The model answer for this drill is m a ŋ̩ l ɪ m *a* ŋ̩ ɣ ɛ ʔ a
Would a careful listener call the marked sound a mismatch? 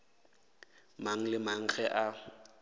no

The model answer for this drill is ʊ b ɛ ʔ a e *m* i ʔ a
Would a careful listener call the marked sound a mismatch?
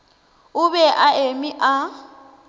no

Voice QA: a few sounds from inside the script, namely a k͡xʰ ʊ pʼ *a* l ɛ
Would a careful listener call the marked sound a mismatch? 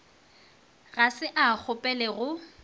yes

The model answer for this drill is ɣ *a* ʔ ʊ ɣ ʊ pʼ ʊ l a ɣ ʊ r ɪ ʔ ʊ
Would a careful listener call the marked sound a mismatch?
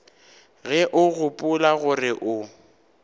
yes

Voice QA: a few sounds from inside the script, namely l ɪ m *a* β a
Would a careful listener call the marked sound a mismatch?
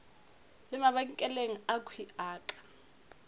no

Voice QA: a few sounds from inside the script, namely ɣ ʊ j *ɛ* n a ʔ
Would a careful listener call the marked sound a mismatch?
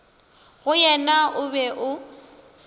no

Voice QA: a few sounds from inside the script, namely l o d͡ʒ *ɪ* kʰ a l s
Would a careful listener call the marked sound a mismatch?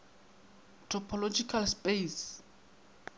yes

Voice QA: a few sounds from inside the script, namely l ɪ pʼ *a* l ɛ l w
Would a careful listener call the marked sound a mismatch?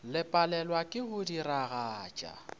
no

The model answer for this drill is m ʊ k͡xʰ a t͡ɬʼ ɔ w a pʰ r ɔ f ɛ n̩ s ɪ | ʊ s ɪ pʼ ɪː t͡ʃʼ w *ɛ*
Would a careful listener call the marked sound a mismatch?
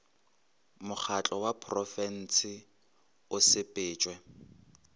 no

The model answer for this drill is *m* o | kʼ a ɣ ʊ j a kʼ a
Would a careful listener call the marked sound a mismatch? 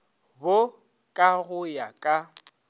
yes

